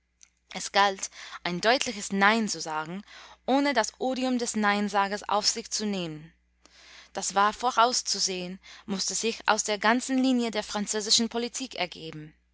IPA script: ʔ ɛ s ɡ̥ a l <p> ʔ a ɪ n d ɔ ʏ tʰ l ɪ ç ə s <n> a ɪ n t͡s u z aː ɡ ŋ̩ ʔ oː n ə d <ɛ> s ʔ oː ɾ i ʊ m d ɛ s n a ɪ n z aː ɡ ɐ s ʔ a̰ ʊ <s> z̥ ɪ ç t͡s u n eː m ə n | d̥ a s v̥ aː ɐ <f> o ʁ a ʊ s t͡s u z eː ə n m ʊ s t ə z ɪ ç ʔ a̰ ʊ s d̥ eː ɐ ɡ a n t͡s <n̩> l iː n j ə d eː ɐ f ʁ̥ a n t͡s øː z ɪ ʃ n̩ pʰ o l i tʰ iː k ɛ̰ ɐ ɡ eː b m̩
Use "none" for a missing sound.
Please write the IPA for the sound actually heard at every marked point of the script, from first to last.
t, n, a, f, f, n̩

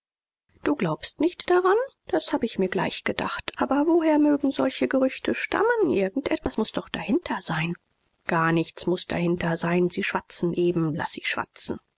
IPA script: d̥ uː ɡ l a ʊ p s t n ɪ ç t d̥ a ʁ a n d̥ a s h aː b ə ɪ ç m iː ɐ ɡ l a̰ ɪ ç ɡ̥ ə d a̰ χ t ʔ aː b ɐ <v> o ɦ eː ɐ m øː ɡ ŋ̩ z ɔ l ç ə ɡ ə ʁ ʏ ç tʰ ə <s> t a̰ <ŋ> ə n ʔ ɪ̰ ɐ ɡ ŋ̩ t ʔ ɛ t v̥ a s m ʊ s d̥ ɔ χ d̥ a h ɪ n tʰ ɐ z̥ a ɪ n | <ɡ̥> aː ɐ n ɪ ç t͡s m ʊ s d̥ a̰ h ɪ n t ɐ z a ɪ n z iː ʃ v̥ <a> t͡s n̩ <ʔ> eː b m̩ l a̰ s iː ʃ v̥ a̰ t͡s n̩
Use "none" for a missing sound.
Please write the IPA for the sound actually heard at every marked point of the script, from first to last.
v, ʃ, m, ɡ̥, a, ʔ

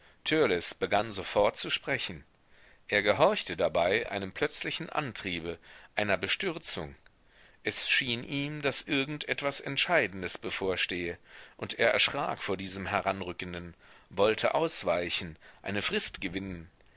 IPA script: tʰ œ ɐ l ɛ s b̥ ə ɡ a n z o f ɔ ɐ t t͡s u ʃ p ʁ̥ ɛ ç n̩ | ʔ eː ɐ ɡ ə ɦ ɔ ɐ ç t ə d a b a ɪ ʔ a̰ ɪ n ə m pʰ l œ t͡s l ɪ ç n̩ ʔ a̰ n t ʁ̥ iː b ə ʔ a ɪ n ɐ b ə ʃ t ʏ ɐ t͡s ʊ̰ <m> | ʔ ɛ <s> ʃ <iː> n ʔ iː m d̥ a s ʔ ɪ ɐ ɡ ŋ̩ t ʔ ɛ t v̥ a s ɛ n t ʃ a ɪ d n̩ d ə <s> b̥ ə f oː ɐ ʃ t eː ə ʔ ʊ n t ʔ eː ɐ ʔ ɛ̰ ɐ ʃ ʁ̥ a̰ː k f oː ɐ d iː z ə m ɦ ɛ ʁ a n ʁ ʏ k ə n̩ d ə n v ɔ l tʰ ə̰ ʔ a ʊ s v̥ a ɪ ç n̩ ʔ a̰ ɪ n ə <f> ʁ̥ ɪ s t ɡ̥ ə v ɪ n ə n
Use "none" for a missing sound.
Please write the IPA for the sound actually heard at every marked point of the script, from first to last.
ŋ, s, iː, s, f

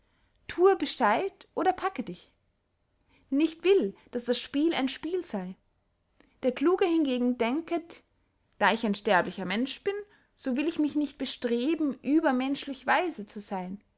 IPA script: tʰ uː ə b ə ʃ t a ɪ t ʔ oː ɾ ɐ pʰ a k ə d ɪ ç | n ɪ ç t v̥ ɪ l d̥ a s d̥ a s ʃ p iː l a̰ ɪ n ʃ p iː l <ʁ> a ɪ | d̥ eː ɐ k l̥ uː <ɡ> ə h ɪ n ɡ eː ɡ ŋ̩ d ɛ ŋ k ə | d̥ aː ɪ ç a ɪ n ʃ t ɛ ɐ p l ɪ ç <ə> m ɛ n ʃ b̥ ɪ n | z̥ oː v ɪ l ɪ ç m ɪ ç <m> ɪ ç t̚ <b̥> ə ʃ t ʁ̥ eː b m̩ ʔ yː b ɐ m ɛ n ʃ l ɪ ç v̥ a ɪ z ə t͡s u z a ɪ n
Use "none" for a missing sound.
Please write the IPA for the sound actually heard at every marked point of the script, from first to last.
z, ɡ, ɐ, n, b̥

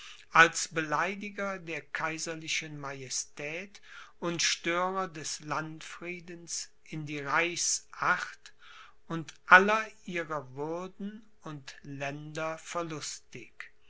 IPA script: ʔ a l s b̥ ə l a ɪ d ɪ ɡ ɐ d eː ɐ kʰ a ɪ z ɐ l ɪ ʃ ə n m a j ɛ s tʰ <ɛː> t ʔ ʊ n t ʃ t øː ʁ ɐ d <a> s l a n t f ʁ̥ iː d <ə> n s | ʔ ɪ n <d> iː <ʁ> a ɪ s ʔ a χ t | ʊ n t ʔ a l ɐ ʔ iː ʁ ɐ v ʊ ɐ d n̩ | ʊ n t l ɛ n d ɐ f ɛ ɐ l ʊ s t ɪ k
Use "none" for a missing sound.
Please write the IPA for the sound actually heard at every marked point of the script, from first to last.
ɛː, ɛ, ə, d, ʁ

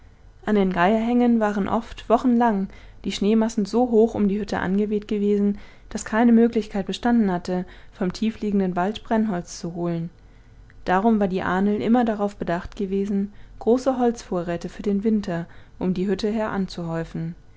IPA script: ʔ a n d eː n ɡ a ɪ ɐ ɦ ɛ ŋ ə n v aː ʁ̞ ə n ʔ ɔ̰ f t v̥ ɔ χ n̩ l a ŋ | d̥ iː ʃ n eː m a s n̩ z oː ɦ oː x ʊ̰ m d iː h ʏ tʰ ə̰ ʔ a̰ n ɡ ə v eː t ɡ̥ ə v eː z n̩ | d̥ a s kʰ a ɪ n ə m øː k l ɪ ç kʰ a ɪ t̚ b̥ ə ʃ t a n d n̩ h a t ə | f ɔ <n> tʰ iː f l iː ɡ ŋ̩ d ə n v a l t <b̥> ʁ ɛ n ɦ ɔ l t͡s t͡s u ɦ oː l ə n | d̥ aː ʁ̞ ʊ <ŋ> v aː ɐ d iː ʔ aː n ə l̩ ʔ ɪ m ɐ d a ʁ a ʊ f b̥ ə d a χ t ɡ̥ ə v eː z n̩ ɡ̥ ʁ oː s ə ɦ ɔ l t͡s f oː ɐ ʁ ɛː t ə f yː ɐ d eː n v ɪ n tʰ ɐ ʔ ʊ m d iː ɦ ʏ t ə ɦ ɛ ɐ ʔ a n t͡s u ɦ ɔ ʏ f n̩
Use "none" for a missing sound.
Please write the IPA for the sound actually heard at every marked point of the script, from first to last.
m, b̥, m

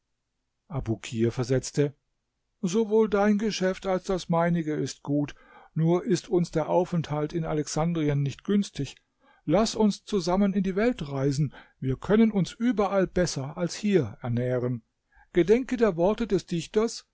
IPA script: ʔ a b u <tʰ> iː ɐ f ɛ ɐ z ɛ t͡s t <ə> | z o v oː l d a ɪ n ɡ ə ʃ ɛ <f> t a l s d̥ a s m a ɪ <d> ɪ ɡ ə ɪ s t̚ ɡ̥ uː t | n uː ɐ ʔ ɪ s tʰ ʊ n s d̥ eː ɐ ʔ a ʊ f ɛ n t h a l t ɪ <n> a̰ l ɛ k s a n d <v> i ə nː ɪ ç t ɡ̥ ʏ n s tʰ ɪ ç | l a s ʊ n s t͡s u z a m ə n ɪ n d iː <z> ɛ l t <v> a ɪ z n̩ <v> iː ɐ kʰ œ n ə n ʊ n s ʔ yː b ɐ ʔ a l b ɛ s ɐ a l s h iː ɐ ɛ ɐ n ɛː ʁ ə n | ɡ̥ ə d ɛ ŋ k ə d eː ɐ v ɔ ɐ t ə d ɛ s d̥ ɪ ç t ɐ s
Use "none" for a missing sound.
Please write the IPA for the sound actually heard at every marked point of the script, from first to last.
kʰ, ə, f, n, n, ʁ, v, ʁ, v

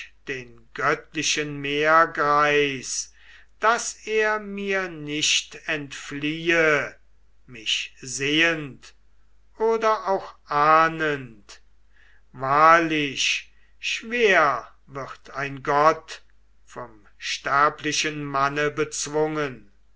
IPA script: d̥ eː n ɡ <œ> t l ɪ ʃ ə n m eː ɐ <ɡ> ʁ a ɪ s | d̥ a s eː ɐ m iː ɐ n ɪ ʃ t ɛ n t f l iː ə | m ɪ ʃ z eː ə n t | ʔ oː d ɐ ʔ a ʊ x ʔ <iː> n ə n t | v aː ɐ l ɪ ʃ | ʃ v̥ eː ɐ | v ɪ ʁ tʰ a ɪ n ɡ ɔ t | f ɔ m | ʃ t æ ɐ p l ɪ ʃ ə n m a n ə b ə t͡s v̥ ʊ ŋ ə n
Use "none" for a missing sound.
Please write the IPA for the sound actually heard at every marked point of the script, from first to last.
œ, ɡ, aː

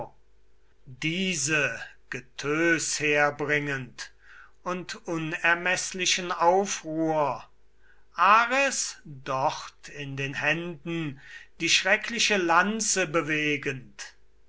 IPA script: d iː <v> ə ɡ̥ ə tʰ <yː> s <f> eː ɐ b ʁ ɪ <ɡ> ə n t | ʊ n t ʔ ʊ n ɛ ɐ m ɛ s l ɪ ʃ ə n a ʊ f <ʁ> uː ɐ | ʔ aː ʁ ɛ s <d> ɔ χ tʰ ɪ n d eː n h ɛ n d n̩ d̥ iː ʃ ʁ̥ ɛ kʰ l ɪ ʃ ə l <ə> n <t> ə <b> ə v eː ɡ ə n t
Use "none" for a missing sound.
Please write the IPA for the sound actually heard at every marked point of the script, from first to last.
z, øː, h, ŋ, ʁ, d, a, t͡s, b

